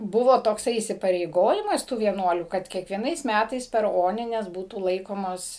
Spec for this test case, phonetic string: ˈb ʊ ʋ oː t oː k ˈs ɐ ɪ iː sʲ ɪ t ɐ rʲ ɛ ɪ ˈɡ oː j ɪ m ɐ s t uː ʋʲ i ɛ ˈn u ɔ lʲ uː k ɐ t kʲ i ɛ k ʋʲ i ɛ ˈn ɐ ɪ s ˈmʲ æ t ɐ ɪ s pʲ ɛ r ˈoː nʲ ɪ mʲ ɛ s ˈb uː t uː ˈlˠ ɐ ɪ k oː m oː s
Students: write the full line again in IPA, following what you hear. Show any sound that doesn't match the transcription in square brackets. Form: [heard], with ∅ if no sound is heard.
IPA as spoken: ˈb ʊ ʋ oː t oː k ˈs ɐ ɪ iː sʲ ɪ [p] ɐ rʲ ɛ ɪ ˈɡ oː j ɪ m ɐ s t uː ʋʲ i ɛ ˈn u ɔ lʲ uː k ɐ t kʲ i ɛ k ʋʲ i ɛ ˈn ɐ ɪ s ˈmʲ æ t ɐ ɪ s pʲ ɛ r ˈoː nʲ ɪ [nʲ] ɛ s ˈb uː t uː ˈlˠ ɐ ɪ k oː m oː s